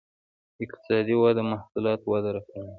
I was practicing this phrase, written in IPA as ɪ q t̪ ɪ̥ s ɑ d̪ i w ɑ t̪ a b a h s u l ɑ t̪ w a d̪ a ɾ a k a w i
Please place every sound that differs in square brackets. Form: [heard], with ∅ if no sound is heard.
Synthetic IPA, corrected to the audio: ɪ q t̪ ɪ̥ s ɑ d̪ i w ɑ [d̪] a [m] a h s u l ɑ t̪ w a d̪ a ɾ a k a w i